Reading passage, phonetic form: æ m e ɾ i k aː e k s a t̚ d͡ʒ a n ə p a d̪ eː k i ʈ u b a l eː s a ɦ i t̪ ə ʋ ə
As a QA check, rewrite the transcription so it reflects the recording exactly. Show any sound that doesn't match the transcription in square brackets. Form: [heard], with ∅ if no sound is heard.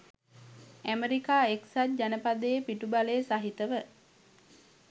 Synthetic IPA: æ m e ɾ i k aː e k s a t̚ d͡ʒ a n ə p a d̪ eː [p] i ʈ u b a l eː s a ɦ i t̪ ə ʋ ə